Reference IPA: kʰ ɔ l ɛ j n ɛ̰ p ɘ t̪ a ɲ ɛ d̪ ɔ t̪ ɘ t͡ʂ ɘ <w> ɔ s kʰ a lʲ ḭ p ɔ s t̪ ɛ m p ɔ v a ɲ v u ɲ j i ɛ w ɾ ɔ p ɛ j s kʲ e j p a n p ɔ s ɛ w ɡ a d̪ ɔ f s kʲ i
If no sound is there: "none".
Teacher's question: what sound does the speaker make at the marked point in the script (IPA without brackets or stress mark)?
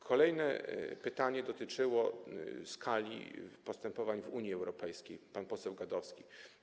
w